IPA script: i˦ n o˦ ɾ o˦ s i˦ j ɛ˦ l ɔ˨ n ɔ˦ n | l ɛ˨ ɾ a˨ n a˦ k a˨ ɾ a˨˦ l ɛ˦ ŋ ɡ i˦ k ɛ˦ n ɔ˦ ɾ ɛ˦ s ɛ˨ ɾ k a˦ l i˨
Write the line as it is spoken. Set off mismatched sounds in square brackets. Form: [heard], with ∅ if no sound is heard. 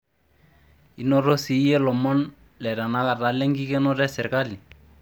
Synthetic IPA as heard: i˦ n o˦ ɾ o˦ s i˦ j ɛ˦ l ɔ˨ [m] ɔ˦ n | l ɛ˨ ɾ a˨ n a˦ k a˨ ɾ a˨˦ l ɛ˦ ŋ ɡ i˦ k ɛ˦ n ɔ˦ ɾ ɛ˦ s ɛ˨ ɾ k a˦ l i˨